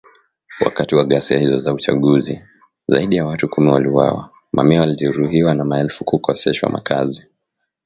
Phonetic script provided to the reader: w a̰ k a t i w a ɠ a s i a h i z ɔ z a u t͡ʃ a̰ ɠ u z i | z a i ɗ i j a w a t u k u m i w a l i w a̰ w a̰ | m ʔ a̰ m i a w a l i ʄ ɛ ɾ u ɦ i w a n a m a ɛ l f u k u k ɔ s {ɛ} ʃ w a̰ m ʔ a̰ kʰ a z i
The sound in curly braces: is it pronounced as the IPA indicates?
yes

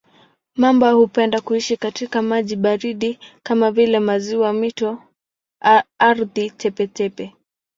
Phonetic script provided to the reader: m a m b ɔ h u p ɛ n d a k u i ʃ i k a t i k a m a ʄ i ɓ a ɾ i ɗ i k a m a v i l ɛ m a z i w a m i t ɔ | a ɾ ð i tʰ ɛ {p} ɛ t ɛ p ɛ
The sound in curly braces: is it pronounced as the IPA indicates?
yes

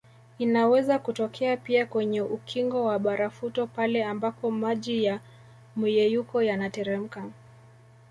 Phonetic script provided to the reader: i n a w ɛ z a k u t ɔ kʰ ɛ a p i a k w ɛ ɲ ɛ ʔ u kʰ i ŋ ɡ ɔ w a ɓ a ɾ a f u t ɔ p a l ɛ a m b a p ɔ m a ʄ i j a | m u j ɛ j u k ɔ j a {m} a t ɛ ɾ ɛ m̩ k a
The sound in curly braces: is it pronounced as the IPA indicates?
no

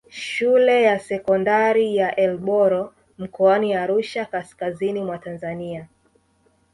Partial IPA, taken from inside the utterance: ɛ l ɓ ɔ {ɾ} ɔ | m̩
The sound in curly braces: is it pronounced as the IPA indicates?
yes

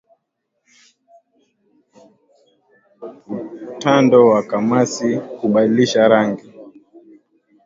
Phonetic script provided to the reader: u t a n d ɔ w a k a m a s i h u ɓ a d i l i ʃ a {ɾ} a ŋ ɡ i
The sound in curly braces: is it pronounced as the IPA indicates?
yes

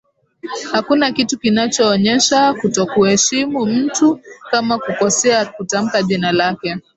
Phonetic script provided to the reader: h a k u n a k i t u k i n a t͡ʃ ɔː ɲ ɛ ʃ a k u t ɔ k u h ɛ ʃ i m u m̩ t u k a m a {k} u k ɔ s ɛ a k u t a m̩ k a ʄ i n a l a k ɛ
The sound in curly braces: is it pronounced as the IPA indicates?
yes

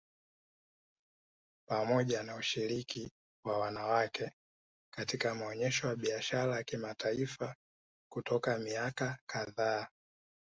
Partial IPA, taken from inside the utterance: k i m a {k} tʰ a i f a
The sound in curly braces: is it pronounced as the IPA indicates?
no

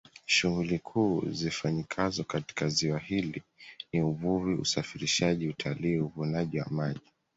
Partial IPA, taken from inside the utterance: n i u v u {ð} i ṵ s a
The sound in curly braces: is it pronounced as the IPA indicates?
no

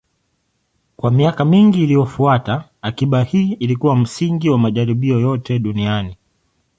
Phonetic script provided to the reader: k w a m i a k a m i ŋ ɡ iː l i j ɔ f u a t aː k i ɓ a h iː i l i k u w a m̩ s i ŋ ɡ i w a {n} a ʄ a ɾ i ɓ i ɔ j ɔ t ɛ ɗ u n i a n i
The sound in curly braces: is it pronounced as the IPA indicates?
no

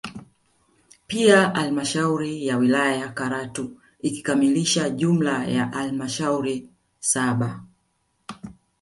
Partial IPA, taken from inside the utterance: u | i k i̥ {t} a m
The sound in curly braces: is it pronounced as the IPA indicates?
no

